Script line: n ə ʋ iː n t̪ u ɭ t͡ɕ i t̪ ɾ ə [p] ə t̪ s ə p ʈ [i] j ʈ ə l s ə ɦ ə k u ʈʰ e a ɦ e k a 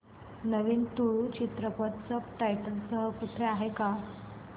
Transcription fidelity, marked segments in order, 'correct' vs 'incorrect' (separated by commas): correct, incorrect